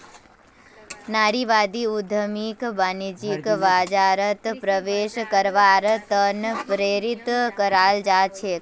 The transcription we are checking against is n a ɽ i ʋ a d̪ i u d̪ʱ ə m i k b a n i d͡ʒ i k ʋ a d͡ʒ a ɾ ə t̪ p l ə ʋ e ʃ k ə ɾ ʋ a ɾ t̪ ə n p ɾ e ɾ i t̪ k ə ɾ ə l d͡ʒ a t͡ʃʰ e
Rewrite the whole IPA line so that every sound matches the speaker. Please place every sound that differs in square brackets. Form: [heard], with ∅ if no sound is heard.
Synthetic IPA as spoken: n a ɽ i ʋ a d̪ i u d̪ʱ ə m i k b a n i d͡ʒ i k ʋ a d͡ʒ a ɾ ə t̪ p [ɾ] ə ʋ e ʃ k ə ɾ ʋ a ɾ t̪ ə n p ɾ e ɾ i t̪ k ə ɾ [a] l d͡ʒ a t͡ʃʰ e

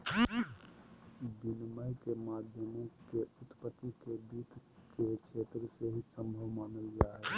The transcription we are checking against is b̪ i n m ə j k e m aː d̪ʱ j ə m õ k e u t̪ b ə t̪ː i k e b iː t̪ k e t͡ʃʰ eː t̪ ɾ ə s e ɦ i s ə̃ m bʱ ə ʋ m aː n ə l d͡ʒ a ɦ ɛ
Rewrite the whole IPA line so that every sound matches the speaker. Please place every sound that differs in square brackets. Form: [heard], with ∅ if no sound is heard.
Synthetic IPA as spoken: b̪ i n m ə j k e m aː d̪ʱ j ə m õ k e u t̪ [p] ə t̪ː i k e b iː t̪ k e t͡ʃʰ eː t̪ ɾ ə s e ɦ i s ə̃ m bʱ ə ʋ m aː n ə l d͡ʒ a ɦ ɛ

